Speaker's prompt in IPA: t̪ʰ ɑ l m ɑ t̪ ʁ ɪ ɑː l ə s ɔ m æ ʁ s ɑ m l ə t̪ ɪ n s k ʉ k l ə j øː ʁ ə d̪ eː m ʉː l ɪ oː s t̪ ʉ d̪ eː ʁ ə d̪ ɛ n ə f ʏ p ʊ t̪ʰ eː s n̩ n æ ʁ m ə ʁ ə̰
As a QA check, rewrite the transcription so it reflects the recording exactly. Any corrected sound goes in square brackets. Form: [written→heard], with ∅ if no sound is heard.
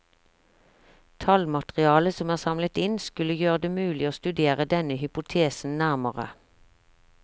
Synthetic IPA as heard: t̪ʰ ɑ l m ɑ t̪ ʁ ɪ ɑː l ə s ɔ m [æ→æː] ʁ s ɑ m l ə t̪ ɪ n s k ʉ [k→∅] l ə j øː ʁ ə d̪ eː m ʉː l ɪ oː s t̪ ʉ d̪ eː ʁ ə d̪ ɛ n ə [f→h] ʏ p ʊ t̪ʰ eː s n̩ n æ ʁ m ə ʁ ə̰